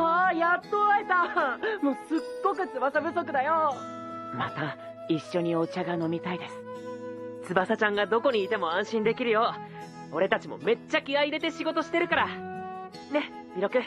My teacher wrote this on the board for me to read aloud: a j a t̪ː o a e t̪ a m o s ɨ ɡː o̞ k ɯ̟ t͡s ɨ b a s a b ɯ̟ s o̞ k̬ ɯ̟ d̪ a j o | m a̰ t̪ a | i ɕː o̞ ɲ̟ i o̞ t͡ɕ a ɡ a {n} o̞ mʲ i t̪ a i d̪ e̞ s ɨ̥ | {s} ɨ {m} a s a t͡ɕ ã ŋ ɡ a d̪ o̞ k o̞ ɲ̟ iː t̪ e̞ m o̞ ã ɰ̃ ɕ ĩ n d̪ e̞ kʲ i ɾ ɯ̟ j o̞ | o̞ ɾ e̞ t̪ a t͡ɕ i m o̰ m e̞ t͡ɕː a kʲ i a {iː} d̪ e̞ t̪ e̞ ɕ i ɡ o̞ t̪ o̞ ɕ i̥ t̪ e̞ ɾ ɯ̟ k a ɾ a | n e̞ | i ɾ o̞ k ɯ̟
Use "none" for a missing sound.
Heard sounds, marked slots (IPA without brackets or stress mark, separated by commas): n, t͡s, b, i